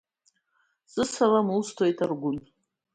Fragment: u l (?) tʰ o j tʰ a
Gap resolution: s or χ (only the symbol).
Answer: s